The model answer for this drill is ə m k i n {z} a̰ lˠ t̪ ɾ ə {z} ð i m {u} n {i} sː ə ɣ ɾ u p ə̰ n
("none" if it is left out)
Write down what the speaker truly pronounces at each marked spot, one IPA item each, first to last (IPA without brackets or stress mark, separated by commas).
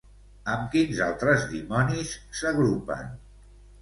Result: z, z, ɔ, i